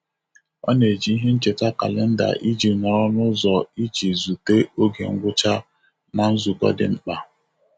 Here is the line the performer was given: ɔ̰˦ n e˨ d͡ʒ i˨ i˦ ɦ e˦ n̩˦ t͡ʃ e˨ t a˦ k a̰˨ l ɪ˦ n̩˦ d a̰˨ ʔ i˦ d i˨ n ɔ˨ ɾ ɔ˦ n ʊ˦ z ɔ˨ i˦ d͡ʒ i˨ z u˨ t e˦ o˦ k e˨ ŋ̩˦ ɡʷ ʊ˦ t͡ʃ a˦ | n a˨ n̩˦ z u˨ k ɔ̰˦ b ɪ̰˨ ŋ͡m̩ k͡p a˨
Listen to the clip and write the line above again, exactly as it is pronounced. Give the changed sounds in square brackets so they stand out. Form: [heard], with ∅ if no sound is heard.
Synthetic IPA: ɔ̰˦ n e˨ d͡ʒ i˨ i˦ ɦ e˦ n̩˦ t͡ʃ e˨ t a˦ k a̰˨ l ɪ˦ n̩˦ d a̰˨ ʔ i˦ [d͡ʒ] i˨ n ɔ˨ ɾ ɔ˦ n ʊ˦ z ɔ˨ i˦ d͡ʒ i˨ z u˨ t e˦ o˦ [ɡ] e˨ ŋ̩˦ ɡʷ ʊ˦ t͡ʃ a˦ | n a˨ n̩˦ z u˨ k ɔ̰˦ [d] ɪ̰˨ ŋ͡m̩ k͡p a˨